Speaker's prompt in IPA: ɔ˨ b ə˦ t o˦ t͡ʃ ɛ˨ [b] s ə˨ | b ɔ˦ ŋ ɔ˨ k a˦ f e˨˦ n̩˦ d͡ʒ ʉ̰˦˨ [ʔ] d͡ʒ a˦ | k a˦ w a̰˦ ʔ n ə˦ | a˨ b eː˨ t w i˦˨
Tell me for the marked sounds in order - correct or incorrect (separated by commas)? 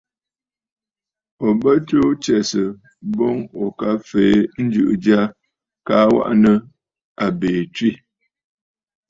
incorrect, correct